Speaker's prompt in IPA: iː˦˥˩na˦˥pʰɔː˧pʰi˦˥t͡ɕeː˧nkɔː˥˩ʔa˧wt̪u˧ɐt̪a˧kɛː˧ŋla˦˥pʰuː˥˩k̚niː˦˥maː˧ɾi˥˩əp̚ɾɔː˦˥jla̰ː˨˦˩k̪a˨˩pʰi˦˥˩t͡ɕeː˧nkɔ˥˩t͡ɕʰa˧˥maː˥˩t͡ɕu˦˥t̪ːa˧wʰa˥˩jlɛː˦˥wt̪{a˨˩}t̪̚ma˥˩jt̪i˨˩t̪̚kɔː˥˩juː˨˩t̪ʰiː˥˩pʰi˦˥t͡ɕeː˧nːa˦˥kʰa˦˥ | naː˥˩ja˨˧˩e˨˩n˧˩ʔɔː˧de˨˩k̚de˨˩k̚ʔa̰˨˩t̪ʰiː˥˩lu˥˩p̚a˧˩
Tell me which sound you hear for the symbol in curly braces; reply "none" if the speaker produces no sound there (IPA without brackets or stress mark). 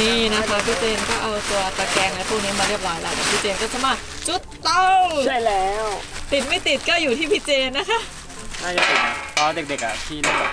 i˨˩